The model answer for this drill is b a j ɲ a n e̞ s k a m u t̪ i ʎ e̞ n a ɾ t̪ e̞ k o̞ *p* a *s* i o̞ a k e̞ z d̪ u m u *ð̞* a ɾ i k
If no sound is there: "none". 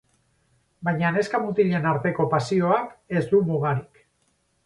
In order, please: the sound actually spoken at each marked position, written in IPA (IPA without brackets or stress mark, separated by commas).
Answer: p, s, ɣ̞